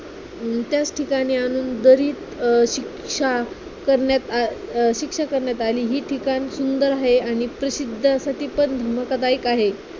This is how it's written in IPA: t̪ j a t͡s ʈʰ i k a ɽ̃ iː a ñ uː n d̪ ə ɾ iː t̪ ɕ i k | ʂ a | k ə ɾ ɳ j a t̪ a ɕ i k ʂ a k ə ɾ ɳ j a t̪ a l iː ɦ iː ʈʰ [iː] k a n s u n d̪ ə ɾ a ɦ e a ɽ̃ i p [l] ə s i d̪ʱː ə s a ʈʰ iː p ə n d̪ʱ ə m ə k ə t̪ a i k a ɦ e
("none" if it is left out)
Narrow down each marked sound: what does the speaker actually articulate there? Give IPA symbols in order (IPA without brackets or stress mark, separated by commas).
i, ɾ